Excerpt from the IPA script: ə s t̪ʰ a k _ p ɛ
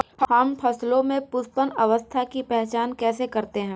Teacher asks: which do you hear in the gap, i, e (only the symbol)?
i